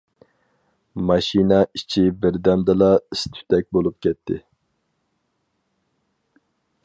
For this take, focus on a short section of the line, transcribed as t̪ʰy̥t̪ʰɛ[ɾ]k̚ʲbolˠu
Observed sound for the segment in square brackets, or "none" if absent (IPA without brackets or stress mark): none